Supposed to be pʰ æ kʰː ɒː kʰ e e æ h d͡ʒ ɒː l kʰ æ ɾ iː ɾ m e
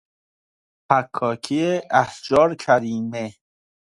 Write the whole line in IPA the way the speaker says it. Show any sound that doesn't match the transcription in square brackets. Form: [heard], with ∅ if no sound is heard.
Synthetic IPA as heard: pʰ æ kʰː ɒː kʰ [i] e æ h d͡ʒ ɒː [ɾ] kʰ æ ɾ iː [∅] m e